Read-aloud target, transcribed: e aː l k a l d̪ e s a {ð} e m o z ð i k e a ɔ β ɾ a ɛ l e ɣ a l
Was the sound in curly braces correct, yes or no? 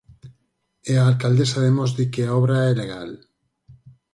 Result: yes